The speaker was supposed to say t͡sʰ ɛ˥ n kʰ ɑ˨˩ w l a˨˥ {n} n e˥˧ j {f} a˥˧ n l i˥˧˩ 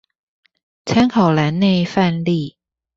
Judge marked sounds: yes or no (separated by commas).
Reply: yes, yes